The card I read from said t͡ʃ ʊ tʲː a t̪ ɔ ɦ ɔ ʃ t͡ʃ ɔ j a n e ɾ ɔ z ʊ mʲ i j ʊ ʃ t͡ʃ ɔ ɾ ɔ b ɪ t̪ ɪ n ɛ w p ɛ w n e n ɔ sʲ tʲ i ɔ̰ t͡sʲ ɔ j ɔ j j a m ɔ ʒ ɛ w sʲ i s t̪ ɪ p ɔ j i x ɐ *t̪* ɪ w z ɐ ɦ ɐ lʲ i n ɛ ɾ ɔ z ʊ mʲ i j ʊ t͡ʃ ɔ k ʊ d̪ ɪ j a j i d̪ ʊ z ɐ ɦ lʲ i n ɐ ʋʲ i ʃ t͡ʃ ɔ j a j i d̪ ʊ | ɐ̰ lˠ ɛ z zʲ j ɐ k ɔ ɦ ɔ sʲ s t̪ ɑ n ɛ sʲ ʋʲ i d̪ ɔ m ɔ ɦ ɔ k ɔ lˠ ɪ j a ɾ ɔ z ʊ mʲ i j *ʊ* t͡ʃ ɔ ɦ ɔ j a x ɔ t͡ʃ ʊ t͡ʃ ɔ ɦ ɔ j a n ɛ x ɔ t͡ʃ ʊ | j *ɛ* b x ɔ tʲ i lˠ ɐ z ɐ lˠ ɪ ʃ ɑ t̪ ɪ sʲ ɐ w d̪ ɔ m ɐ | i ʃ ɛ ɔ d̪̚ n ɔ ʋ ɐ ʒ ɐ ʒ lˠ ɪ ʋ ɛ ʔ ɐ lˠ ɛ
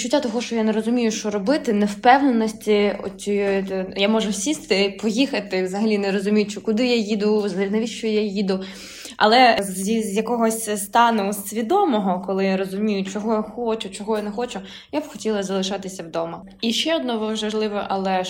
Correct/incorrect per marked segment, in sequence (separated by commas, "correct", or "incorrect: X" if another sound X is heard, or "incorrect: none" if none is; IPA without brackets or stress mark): correct, correct, incorrect: a